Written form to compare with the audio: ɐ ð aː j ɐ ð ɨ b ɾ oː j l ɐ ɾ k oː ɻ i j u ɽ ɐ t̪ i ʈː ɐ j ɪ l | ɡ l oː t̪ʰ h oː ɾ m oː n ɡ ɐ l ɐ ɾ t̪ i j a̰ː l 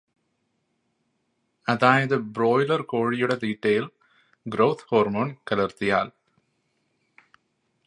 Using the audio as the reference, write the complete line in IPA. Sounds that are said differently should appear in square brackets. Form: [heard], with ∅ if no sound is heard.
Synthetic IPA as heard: ɐ ð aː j ɐ ð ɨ b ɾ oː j l ɐ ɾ k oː ɻ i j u ɽ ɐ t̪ [iː] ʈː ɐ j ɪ l | ɡ [ɾ] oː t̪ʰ h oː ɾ m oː n [k] ɐ l ɐ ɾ t̪ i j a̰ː l